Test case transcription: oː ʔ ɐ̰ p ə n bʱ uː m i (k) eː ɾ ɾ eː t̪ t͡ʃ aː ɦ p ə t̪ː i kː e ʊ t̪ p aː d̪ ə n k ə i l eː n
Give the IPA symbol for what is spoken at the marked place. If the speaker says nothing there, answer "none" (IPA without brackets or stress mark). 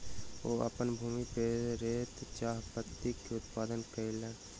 p